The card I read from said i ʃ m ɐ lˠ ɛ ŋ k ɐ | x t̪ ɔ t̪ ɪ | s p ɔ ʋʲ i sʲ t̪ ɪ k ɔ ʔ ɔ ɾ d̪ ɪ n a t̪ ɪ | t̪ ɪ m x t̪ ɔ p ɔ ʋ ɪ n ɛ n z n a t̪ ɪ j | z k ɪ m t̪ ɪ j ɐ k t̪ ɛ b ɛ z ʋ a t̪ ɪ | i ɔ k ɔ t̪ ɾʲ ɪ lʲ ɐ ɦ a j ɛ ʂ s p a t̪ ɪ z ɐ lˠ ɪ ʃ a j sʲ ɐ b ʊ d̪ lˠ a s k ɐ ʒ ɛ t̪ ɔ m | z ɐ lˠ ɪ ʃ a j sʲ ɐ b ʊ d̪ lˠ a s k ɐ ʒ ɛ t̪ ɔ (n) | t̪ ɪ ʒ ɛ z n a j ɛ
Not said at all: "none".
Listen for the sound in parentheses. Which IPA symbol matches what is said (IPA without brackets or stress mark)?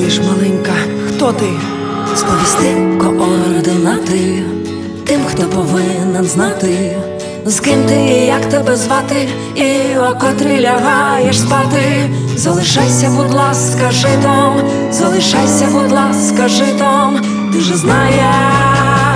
m